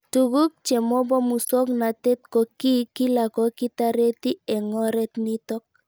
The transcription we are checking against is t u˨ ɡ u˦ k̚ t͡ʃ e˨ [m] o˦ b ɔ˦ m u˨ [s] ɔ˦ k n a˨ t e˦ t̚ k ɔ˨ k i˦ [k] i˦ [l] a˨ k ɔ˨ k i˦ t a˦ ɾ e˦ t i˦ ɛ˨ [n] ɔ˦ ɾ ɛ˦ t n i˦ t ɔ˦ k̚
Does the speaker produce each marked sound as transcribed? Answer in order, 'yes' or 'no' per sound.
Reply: yes, yes, yes, yes, no

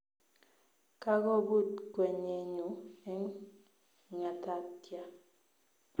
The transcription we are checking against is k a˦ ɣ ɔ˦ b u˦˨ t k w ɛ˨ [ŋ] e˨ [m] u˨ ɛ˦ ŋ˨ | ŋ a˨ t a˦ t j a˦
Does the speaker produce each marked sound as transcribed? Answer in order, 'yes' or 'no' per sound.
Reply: no, no

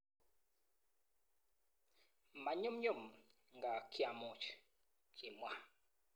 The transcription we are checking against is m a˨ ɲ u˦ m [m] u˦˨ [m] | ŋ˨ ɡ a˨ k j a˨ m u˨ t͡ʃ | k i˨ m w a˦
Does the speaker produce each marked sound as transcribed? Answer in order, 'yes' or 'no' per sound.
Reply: no, yes

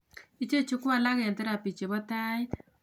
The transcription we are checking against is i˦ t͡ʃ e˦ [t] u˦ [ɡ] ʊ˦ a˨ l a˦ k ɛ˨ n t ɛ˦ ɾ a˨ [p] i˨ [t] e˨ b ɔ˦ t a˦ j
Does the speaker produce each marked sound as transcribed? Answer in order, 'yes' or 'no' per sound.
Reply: no, no, yes, no

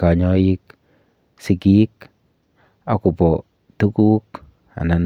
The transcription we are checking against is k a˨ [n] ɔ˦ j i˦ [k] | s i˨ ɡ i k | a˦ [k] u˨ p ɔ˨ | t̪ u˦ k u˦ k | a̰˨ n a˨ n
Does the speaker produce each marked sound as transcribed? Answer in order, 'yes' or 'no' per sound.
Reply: no, yes, yes

